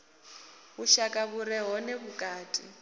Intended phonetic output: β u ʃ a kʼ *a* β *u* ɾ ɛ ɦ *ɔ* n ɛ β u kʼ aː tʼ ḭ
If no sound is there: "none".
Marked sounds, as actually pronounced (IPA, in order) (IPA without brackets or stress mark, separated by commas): a, u, ɔ